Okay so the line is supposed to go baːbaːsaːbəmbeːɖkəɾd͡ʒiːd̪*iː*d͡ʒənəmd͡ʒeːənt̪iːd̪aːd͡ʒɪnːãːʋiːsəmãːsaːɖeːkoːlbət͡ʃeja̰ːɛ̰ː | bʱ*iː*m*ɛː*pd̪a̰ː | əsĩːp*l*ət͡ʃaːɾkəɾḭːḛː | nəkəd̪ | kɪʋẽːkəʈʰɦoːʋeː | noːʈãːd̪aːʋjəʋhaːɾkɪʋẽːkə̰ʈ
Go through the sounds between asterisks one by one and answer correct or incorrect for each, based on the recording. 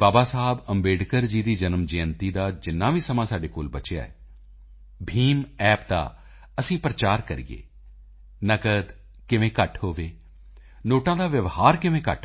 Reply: correct, correct, correct, incorrect

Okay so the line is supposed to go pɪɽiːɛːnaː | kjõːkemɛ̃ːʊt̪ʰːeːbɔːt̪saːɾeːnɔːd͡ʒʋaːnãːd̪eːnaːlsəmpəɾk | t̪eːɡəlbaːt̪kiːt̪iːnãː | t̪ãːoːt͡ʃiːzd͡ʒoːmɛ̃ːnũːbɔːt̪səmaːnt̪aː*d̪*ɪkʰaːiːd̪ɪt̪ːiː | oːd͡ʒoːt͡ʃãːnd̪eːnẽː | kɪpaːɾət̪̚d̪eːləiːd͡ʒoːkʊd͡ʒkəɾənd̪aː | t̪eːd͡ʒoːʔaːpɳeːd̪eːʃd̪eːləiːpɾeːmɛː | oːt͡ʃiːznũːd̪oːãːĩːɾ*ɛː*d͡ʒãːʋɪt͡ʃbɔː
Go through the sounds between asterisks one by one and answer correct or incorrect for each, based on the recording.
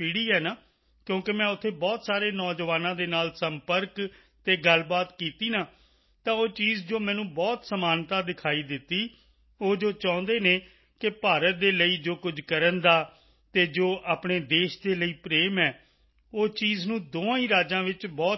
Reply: correct, incorrect

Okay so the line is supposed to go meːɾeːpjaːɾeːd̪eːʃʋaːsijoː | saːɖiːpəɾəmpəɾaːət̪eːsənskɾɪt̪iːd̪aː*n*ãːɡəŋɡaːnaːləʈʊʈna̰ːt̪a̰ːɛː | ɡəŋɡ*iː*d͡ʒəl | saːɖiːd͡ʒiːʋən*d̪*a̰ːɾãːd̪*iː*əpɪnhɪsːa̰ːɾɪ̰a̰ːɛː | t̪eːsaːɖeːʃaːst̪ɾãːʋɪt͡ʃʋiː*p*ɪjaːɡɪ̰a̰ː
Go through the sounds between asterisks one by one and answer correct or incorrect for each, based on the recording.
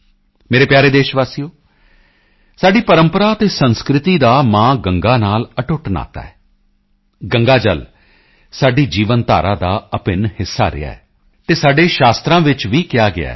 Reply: incorrect, incorrect, incorrect, incorrect, incorrect

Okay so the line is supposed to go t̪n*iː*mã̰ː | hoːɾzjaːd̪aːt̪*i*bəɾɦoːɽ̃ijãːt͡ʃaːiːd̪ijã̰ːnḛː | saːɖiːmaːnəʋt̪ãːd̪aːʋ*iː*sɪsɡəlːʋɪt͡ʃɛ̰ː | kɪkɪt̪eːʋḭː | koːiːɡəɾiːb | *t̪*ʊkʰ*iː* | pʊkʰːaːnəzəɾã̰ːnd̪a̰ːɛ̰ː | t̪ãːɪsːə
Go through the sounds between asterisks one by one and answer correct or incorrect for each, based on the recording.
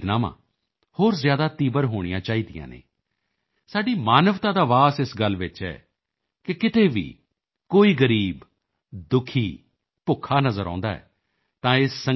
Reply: incorrect, incorrect, incorrect, incorrect, correct

